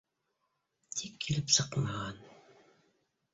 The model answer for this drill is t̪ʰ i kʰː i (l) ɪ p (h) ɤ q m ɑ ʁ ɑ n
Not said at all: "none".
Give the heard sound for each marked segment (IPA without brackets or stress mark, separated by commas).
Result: l, s